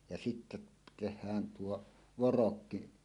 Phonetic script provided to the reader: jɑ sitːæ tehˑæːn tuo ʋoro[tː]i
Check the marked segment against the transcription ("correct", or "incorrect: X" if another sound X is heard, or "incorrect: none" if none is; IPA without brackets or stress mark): incorrect: kː